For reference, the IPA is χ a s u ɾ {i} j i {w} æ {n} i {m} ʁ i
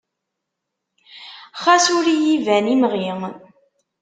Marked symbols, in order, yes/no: yes, no, yes, yes

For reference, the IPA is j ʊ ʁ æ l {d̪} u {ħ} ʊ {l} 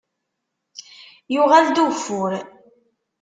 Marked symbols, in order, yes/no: yes, no, no

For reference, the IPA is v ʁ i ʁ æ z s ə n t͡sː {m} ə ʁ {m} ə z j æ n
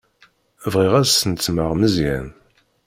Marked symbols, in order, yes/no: yes, yes

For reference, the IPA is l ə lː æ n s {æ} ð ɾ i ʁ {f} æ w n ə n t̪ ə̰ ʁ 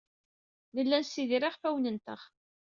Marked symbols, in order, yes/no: no, yes

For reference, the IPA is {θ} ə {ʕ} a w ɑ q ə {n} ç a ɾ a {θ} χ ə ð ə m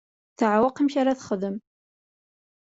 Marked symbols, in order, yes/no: yes, yes, no, yes

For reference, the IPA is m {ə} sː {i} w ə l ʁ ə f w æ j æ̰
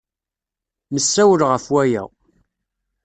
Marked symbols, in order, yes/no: yes, no

